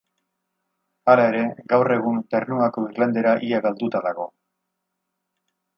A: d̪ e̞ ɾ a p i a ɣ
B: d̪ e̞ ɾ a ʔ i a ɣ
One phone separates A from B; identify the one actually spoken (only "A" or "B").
B